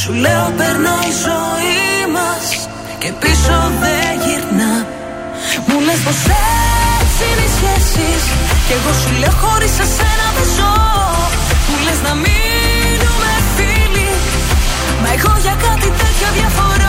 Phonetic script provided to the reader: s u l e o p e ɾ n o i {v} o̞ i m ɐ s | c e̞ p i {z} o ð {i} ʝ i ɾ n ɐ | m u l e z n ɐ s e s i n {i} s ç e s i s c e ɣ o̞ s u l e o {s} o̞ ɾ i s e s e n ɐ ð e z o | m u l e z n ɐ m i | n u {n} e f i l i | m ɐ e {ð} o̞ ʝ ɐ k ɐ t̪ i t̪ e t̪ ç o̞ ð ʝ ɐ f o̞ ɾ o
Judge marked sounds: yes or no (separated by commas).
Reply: no, no, no, yes, no, no, no